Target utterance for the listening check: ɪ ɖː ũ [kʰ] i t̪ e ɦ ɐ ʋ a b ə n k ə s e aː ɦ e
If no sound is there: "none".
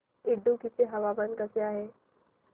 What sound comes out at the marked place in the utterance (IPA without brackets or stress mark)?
k